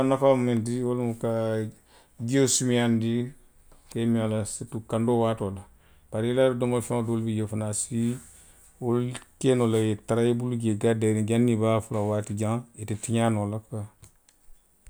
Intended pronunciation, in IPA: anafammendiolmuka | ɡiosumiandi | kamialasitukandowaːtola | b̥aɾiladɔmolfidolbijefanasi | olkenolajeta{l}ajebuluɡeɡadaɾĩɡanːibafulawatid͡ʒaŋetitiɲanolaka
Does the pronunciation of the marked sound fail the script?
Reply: yes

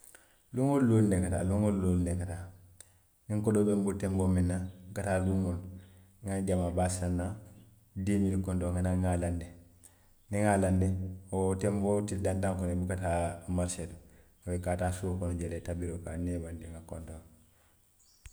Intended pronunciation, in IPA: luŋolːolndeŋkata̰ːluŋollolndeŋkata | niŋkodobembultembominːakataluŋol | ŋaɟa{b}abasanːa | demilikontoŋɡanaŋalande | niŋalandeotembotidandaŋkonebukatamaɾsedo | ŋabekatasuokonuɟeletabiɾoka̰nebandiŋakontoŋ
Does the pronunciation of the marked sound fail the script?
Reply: yes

